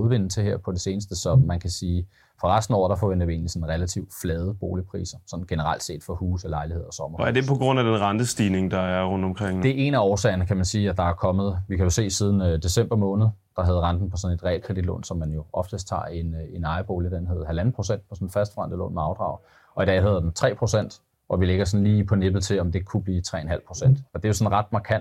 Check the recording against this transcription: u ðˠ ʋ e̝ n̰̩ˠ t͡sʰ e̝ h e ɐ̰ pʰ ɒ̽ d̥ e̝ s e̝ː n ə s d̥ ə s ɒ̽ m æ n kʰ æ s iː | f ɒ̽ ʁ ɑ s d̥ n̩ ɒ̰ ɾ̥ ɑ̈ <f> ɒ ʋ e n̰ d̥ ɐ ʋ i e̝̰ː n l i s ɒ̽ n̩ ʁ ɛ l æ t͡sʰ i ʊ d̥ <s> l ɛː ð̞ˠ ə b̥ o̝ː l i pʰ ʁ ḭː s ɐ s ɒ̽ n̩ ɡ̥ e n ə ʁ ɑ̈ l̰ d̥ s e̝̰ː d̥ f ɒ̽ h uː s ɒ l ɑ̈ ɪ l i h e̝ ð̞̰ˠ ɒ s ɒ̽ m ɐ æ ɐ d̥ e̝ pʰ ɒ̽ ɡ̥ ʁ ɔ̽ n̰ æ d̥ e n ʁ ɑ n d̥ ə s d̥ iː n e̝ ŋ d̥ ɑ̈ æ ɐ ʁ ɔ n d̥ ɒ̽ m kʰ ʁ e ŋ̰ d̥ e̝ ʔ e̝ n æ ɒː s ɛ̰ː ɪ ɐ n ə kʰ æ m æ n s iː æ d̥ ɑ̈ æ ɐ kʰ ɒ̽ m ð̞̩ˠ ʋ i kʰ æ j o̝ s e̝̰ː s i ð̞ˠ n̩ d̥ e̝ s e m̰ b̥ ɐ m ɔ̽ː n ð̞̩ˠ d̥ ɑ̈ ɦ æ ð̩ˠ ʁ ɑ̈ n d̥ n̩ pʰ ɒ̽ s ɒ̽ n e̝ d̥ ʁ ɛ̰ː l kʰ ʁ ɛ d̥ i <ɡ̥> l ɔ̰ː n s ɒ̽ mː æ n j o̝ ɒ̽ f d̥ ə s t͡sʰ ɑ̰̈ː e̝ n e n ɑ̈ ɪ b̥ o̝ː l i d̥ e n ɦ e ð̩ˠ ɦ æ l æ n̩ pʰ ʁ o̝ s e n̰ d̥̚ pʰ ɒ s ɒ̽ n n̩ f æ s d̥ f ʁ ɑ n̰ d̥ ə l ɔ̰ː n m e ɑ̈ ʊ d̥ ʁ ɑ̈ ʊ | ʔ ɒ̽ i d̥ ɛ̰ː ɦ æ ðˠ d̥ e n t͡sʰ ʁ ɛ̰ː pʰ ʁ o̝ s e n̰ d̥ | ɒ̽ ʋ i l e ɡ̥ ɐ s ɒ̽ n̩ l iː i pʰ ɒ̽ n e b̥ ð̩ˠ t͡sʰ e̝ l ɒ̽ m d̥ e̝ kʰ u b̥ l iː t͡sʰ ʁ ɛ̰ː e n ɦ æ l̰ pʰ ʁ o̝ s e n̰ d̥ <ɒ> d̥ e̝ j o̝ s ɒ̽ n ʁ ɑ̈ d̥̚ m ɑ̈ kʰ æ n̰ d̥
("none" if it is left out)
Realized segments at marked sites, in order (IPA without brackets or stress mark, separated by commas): f, f, d̥, ɒ